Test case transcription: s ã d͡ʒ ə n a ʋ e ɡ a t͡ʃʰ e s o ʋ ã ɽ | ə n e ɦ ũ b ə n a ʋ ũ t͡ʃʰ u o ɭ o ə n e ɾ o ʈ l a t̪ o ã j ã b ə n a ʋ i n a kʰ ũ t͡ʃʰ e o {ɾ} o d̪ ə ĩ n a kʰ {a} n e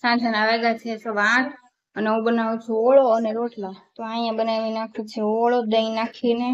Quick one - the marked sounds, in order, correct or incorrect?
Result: incorrect: ɭ, incorrect: i

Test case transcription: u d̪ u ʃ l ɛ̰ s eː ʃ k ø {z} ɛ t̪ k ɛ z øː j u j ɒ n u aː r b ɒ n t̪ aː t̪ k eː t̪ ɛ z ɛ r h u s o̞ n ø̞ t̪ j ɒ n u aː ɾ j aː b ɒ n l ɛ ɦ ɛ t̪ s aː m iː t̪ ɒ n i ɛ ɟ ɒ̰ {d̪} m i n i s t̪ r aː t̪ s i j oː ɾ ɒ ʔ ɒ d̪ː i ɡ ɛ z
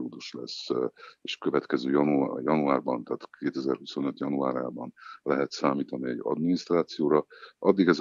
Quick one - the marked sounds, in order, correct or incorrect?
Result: incorrect: v, correct

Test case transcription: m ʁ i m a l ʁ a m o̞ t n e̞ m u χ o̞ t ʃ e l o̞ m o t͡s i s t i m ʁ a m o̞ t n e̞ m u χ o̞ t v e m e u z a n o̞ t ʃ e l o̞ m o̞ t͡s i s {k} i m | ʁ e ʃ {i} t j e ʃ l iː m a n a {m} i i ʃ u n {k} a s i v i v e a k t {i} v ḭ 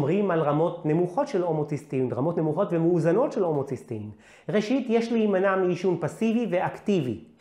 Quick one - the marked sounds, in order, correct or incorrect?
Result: incorrect: t, correct, correct, incorrect: p, correct

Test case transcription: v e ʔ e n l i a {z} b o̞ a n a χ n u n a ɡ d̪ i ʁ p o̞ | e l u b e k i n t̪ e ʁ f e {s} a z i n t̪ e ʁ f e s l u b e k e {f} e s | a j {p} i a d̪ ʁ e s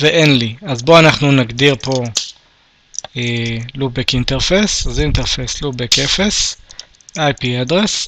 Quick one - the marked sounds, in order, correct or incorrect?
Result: correct, correct, correct, correct

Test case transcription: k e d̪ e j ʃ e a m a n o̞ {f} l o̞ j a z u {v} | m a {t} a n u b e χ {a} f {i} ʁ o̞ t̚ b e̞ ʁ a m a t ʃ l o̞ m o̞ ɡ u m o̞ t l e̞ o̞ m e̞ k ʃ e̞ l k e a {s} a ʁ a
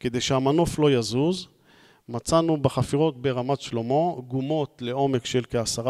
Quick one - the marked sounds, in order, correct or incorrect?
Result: correct, incorrect: z, incorrect: t͡s, correct, correct, correct

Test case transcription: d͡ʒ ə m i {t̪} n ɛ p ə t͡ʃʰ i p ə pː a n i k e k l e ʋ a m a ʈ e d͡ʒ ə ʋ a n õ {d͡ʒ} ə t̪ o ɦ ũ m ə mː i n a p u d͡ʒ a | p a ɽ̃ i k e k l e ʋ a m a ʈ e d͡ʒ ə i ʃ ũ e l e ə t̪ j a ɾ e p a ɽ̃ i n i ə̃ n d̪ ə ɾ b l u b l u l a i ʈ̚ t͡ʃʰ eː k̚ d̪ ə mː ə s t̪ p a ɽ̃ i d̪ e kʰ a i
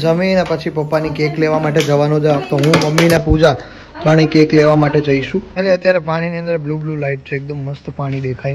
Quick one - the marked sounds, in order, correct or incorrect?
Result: incorrect: none, correct

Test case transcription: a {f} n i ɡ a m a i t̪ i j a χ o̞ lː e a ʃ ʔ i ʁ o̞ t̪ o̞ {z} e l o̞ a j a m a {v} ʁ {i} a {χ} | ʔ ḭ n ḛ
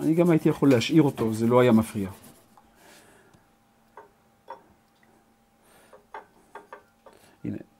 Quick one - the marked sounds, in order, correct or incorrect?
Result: incorrect: none, correct, incorrect: f, correct, incorrect: none

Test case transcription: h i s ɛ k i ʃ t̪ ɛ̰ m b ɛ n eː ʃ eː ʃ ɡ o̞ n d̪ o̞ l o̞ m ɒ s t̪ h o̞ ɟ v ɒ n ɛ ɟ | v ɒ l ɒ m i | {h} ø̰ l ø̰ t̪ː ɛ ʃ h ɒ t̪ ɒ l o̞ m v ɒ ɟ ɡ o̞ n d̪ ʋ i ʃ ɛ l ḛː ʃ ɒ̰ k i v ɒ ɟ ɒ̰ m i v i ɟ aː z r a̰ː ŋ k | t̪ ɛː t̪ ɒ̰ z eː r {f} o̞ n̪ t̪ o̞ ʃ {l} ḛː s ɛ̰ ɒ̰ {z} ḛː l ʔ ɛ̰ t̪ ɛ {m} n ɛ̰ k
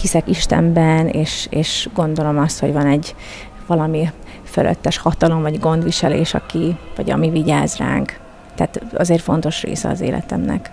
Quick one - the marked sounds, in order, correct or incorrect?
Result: incorrect: f, correct, incorrect: r, correct, correct

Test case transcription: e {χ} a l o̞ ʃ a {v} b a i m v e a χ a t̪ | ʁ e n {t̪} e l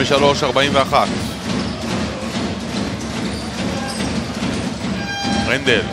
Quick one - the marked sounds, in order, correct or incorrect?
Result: incorrect: ʃ, incorrect: ʁ, incorrect: d̪

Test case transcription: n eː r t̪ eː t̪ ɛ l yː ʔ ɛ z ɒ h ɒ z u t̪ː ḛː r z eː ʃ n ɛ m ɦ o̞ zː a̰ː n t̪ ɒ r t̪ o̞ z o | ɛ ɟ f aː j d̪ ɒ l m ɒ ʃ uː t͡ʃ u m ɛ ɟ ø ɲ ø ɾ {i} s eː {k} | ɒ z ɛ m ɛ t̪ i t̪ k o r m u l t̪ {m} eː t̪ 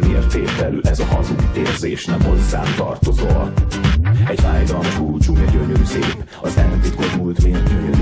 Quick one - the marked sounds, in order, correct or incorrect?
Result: incorrect: y, incorrect: p, correct

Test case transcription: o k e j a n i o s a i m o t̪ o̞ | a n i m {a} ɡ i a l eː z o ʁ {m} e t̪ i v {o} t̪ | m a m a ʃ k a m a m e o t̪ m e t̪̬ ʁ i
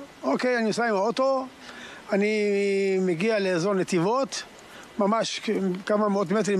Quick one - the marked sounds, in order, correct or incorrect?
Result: incorrect: e, incorrect: n, correct

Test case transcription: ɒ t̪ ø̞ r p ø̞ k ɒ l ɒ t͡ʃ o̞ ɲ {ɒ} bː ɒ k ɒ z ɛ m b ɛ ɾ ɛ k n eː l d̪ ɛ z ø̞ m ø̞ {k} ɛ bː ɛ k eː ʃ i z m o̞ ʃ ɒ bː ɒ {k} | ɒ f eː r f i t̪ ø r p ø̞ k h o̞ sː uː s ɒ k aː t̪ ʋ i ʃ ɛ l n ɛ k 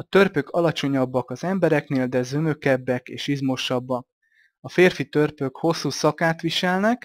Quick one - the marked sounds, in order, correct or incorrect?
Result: correct, correct, correct

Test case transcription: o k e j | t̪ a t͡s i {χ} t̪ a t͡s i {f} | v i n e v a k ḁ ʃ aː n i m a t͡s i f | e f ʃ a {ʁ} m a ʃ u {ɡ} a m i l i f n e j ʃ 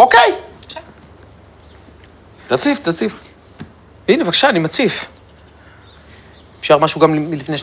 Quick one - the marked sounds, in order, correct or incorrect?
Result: incorrect: f, correct, correct, correct

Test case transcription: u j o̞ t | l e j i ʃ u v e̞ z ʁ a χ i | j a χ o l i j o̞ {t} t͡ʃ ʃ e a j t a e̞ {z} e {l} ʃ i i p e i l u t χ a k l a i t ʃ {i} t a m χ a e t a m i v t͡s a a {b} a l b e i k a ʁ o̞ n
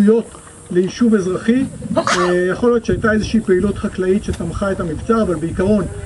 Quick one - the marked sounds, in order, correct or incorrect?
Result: correct, correct, incorrect: none, incorrect: e, incorrect: v

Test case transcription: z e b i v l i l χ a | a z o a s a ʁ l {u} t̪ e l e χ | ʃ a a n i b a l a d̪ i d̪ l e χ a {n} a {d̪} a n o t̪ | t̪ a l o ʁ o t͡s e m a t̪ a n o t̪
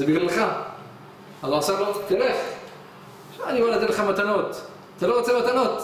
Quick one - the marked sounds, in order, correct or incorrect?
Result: incorrect: o, incorrect: m, incorrect: t̪

